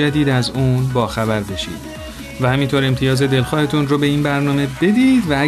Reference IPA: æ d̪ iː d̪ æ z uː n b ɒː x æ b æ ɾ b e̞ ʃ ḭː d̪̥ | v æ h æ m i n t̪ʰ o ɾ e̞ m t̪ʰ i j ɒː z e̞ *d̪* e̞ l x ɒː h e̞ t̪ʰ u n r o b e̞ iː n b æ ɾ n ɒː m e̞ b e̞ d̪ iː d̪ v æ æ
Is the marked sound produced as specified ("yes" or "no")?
yes